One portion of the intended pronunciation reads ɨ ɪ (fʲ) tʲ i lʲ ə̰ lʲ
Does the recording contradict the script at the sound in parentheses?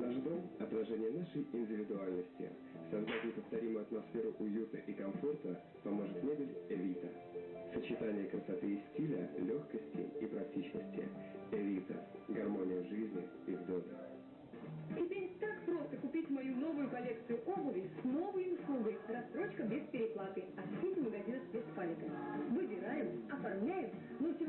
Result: yes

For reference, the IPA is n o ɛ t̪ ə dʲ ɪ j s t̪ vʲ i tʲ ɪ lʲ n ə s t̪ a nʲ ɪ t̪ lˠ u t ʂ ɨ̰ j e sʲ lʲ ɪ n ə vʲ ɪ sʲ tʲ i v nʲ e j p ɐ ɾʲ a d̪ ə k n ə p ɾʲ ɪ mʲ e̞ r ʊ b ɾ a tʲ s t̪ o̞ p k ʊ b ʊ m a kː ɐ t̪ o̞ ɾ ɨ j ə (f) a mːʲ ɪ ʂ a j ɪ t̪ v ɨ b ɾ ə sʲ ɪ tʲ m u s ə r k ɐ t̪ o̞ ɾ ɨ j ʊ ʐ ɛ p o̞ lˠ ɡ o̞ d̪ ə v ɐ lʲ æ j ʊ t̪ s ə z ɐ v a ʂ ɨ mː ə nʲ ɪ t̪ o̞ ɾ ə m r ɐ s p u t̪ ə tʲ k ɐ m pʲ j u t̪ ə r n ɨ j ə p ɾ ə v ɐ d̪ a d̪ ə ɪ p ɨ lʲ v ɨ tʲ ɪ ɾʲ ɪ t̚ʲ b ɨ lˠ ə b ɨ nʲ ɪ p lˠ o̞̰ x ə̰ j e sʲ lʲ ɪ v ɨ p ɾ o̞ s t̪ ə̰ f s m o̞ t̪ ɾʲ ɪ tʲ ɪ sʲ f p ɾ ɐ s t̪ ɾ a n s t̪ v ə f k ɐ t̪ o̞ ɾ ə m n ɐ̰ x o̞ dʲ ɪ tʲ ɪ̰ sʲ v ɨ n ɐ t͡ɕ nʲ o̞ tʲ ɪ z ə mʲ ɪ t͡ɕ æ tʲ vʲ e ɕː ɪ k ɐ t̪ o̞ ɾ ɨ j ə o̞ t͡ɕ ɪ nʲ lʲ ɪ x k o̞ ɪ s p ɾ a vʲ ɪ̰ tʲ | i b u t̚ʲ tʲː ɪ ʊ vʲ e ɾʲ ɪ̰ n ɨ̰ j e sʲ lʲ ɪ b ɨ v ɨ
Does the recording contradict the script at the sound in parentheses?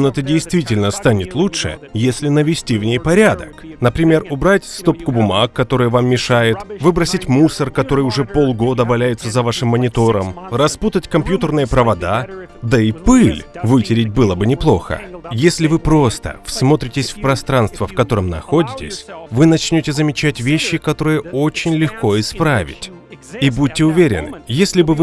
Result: yes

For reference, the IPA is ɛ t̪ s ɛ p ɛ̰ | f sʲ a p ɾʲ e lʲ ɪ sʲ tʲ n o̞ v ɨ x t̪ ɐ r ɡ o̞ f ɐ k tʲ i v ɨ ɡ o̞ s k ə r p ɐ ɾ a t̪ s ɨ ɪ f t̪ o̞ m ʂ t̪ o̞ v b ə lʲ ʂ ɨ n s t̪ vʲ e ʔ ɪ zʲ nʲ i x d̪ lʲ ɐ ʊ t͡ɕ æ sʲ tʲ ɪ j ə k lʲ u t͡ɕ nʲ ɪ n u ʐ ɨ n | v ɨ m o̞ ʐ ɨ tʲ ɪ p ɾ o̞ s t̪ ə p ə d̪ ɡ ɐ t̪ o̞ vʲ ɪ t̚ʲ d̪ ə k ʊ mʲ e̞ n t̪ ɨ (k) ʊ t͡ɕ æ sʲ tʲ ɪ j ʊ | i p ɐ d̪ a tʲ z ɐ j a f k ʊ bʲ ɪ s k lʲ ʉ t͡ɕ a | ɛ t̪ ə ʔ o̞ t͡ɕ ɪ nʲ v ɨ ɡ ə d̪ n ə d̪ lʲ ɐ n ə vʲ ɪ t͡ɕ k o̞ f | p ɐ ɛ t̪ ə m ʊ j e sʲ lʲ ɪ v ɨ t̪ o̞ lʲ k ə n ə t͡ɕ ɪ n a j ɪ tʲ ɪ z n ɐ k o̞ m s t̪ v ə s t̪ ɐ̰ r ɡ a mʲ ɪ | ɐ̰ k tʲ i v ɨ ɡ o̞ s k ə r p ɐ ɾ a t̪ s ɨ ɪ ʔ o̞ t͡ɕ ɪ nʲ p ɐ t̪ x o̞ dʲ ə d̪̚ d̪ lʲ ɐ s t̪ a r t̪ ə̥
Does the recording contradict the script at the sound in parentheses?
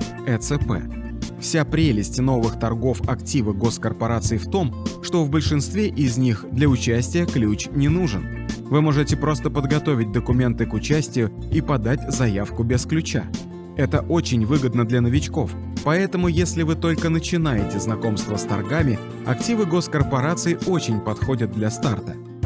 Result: no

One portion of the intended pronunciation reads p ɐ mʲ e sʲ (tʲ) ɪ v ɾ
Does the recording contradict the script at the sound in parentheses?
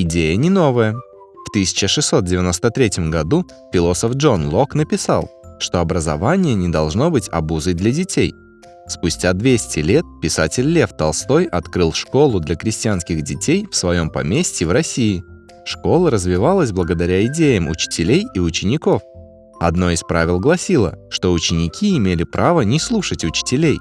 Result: no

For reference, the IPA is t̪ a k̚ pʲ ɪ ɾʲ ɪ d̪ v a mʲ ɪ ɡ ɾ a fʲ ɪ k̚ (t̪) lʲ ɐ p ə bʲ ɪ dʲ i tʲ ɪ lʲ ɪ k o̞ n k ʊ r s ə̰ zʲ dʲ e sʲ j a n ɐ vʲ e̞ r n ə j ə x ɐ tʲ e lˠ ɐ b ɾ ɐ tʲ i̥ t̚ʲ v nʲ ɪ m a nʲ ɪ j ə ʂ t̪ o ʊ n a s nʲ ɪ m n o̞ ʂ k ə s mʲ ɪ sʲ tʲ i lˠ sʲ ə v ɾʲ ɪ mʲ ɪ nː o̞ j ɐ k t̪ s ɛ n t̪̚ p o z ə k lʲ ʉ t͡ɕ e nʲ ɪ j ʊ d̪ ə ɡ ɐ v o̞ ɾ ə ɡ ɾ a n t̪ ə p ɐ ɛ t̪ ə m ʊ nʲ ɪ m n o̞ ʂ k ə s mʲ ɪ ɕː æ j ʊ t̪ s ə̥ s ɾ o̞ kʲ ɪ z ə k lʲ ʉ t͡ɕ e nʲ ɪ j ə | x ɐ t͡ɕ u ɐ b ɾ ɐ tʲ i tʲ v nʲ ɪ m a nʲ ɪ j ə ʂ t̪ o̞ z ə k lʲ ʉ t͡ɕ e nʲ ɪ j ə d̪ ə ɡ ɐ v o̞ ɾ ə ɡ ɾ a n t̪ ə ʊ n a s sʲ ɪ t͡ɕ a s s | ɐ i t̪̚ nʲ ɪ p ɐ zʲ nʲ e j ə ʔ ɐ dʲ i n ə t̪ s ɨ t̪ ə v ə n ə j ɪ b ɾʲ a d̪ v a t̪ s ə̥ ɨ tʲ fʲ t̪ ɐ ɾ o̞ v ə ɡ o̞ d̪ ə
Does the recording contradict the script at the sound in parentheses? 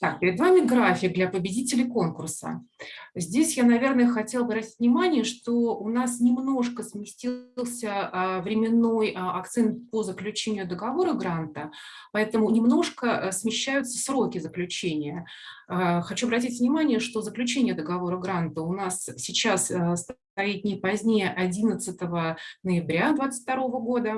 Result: yes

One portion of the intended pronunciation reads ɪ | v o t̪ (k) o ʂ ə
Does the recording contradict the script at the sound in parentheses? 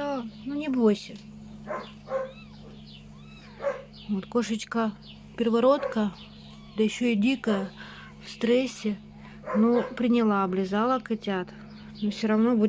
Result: no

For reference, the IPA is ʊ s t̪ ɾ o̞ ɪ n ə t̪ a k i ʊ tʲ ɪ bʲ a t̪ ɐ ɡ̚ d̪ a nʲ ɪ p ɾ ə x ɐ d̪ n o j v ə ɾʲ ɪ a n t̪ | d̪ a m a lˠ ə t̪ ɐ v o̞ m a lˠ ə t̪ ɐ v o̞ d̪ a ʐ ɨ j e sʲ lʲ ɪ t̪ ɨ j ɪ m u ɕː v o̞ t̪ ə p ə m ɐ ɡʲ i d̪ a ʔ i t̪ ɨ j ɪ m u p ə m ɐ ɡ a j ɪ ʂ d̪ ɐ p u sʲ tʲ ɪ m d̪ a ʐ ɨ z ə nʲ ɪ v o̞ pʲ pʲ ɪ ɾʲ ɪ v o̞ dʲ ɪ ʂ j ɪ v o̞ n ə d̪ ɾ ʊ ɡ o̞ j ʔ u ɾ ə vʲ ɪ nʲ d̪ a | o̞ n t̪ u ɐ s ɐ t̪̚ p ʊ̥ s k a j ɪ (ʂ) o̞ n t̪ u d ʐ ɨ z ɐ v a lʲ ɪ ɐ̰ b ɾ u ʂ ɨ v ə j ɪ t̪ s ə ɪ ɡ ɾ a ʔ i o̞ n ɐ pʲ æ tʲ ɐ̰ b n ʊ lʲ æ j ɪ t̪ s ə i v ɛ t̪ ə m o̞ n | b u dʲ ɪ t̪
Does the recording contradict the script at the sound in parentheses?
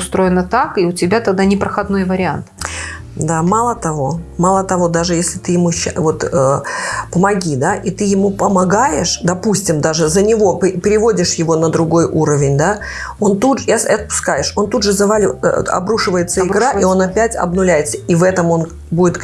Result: no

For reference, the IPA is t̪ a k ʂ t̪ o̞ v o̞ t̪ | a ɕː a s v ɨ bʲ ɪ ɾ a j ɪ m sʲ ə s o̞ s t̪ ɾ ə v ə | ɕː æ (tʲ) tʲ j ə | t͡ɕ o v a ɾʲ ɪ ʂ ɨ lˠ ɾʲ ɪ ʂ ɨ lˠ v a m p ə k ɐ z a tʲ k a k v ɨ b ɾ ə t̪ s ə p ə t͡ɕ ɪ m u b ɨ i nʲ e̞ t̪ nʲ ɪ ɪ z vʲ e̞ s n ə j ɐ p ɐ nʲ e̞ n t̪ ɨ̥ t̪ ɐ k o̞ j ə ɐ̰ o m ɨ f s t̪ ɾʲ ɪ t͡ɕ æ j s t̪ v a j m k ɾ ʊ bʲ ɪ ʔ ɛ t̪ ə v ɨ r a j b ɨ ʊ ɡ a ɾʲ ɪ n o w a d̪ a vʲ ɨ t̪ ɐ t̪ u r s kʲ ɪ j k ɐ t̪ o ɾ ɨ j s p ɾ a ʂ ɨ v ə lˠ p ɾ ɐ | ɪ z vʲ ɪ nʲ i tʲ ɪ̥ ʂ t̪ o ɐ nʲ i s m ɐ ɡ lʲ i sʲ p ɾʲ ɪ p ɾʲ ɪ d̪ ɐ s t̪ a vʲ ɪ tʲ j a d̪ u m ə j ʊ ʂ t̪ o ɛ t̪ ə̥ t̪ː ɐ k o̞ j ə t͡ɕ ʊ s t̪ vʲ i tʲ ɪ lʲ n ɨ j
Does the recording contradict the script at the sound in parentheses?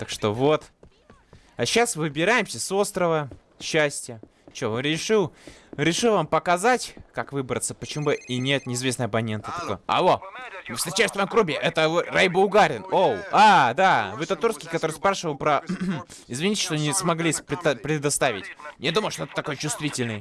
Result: yes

